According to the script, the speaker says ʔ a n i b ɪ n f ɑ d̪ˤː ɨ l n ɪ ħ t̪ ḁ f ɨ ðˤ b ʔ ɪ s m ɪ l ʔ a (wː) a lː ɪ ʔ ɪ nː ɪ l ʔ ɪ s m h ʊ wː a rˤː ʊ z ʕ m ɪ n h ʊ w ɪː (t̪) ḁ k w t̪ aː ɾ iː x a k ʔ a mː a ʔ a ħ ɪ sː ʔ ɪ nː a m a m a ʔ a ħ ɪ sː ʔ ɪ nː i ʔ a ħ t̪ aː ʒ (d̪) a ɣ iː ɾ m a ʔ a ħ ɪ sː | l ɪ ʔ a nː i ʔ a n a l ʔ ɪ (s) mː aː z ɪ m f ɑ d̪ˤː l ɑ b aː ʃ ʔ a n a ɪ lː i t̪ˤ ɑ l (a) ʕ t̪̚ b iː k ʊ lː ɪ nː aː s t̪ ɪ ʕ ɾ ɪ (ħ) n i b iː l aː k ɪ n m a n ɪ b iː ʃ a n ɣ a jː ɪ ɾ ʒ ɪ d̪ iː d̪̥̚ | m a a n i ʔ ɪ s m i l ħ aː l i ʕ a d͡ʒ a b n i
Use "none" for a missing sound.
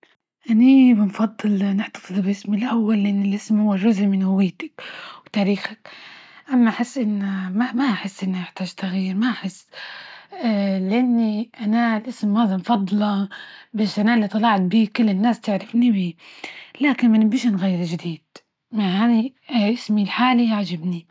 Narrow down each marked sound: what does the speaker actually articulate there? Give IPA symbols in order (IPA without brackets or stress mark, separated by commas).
wː, t̪, t̪, s, ɑ, f